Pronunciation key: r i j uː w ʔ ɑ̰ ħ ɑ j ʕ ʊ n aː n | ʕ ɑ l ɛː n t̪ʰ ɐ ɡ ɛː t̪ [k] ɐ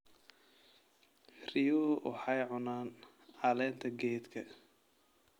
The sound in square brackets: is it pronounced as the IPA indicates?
no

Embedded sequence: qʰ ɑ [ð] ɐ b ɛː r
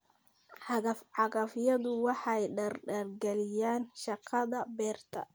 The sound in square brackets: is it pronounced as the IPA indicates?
yes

